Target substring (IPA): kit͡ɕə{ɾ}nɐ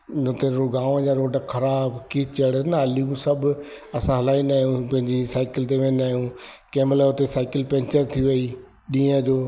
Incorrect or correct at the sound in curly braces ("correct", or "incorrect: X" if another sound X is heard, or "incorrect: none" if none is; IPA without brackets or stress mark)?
incorrect: ɽ